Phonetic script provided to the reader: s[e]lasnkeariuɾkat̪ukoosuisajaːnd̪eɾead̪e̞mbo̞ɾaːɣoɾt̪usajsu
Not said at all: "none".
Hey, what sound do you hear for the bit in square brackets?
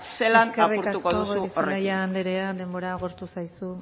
e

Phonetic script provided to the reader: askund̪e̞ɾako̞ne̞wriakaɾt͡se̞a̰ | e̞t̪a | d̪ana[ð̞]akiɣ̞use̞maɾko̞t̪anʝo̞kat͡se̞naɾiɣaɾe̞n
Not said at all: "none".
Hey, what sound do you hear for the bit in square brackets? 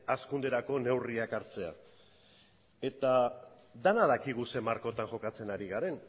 ð̞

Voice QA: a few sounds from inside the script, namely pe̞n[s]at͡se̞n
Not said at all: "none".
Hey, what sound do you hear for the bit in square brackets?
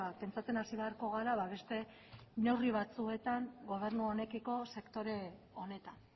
t͡s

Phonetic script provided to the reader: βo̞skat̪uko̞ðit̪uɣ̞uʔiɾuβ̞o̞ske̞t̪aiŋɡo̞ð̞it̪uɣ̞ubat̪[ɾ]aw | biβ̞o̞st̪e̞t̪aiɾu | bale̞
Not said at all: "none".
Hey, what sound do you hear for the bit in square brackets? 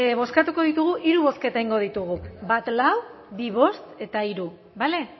l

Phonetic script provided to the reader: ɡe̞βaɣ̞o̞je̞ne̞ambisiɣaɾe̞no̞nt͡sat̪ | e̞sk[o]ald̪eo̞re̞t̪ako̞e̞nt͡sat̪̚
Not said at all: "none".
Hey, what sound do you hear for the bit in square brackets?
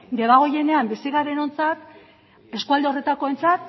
u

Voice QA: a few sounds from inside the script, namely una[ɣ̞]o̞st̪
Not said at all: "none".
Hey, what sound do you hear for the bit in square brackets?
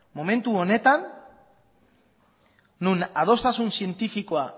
ð̞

